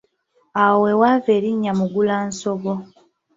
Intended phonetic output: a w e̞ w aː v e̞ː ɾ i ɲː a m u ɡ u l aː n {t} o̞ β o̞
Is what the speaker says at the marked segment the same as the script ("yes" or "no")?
no